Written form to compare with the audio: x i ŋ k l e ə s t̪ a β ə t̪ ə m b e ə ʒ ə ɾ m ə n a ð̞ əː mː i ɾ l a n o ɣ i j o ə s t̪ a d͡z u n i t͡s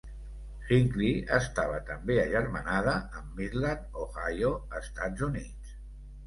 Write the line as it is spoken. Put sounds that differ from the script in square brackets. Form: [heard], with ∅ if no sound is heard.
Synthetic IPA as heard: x i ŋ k l [i] ə s t̪ a β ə t̪ ə m b e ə ʒ ə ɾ m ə n a ð̞ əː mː i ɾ l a n o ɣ [a] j o ə s t̪ a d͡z u n i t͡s